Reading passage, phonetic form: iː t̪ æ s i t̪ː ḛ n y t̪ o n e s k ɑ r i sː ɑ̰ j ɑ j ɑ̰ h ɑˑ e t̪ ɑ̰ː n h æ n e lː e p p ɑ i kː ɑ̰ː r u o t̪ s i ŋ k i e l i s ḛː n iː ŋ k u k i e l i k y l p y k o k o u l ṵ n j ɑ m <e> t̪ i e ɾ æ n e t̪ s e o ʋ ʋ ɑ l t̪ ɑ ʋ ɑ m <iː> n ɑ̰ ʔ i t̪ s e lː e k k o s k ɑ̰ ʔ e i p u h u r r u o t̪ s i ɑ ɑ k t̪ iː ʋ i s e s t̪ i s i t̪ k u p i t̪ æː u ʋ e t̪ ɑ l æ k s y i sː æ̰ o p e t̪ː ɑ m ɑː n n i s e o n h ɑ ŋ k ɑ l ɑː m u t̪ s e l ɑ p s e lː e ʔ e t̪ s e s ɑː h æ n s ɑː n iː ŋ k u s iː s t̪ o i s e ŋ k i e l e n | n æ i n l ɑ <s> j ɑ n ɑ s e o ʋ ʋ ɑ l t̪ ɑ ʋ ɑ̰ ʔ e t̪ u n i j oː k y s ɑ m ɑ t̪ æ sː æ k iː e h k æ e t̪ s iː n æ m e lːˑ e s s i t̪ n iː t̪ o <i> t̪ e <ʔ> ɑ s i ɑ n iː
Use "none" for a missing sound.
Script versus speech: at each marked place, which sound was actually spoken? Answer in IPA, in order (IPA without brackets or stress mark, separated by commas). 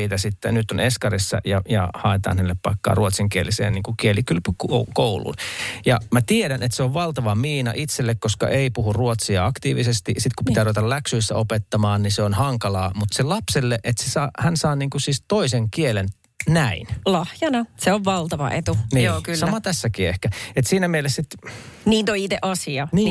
æ, iː, h, i, ʔ